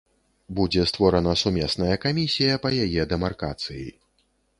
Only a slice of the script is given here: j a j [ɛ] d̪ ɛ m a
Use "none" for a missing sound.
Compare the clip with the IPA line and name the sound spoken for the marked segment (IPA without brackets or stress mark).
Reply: ɛ